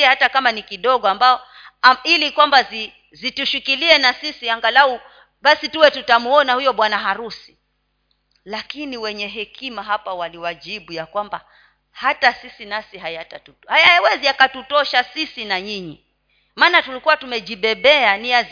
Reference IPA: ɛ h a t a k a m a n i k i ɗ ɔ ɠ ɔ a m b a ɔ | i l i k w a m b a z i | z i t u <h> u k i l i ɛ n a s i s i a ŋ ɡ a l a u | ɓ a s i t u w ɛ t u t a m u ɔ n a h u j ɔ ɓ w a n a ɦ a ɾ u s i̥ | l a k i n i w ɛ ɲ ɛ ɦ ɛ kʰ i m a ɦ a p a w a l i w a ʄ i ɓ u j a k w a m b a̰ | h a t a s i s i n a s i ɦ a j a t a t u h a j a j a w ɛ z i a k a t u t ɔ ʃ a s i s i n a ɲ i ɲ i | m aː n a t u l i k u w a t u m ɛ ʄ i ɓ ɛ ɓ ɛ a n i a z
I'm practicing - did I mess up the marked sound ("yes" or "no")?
yes